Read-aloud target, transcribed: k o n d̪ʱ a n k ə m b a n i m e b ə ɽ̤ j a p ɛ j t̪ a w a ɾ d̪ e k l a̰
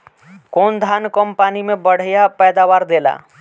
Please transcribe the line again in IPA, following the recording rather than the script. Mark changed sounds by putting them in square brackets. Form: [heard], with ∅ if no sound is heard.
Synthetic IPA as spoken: k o n d̪ʱ a n k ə m [p] a n i m e b ə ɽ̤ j a p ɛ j [d̪] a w a ɾ d̪ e [∅] l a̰